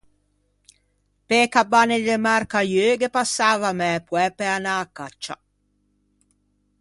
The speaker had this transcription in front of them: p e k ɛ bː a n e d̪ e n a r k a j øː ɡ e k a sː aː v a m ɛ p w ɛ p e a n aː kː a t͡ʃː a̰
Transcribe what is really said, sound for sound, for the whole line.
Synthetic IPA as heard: p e k a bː a n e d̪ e m a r k a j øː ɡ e p a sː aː v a m ɛ p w ɛ p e a n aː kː a t͡ʃː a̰

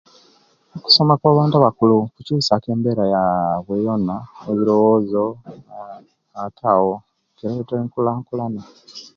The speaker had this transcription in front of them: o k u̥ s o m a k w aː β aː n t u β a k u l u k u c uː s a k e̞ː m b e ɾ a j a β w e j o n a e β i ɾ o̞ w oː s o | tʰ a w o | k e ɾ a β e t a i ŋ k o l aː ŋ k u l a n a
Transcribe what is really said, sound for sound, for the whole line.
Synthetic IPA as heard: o k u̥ s o m a k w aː β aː n t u β a k u l u k u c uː s a k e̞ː m b e ɾ a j a β w e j o n a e β i ɾ o̞ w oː z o | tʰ a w o | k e ɾ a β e t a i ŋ k u l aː ŋ k u l a n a

